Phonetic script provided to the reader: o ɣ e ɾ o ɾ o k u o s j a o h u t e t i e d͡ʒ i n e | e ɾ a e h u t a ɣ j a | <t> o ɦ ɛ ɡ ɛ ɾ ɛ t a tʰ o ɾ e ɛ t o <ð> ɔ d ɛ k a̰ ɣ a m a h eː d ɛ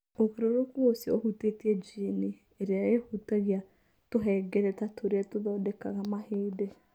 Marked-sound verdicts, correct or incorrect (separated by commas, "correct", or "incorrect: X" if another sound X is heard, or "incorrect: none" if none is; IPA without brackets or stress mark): correct, correct